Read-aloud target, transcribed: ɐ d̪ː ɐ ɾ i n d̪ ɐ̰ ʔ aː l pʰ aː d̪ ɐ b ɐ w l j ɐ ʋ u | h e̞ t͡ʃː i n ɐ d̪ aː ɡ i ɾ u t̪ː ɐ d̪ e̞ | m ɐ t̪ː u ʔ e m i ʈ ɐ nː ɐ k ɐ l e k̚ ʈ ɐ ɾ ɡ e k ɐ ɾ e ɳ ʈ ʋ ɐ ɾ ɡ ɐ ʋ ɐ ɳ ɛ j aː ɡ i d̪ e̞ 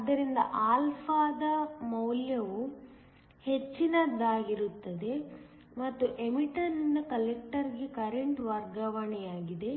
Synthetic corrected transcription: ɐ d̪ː ɐ ɾ i n d̪ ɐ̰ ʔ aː l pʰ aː d̪ ɐ m ɐ w l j ɐ ʋ u | h e̞ t͡ʃː i n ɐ d̪ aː ɡ i ɾ u t̪ː ɐ d̪ e̞ | m ɐ t̪ː u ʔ e m i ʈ ɐ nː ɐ k ɐ l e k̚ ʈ ɐ ɾ ɡ e k ɐ ɾ e ɳ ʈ ʋ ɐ ɾ ɡ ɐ ʋ ɐ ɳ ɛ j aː ɡ i d̪ e̞